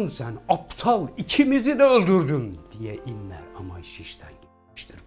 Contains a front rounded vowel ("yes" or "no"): yes